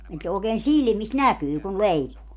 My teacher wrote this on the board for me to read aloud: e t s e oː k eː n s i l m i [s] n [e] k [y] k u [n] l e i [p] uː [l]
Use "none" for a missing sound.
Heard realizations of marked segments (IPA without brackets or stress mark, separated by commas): s, æ, yː, n, p, none